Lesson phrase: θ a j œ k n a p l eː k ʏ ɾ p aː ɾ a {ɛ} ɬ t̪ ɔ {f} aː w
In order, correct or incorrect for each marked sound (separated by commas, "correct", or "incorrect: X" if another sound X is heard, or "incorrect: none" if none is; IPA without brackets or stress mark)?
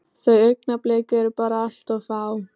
incorrect: a, correct